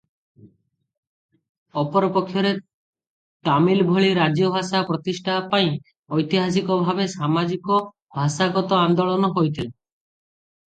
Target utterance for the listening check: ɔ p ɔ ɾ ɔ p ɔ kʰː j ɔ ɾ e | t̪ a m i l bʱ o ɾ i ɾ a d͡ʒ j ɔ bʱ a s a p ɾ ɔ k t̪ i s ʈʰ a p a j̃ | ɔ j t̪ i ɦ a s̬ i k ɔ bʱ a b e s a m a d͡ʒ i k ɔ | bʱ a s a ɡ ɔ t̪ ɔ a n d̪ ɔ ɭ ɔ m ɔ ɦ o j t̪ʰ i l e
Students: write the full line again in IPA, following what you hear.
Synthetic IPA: ɔ p ɔ ɾ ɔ p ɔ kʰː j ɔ ɾ e | t̪ a m i l bʱ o ɭ i ɾ a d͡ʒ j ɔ bʱ a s a p ɾ ɔ t̪ i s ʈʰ a p a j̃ | ɔ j t̪ i ɦ a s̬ i k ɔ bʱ a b e s a m a d͡ʒ i k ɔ | bʱ a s a ɡ ɔ t̪ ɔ a n d̪ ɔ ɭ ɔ n ɔ ɦ o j t̪ʰ i l e